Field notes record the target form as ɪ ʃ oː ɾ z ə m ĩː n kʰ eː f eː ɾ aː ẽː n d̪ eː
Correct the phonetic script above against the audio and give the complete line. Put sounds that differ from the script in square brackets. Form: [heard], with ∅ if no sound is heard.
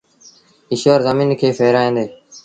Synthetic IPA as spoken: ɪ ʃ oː ɾ z ə m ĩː n kʰ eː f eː ɾ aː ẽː n d̪ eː